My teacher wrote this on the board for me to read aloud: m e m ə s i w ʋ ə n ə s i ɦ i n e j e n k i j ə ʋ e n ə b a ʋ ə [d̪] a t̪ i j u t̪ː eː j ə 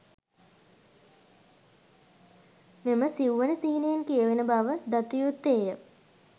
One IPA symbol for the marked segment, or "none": d̪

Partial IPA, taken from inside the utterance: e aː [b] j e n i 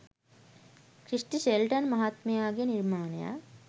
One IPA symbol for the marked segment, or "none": ɡ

